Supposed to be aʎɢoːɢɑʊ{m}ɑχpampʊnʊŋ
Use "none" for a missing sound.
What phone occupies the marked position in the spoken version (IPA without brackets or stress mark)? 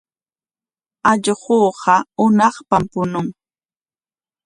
n